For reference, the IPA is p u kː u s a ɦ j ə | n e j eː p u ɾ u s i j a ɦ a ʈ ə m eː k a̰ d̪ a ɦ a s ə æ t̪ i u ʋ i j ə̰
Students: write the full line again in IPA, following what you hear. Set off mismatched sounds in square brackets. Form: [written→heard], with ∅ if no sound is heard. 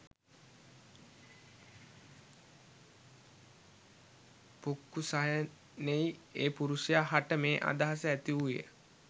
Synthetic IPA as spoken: p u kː u s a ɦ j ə | n e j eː p u ɾ u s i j a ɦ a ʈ ə m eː [k→ʔ] a̰ d̪ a ɦ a s ə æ t̪ i u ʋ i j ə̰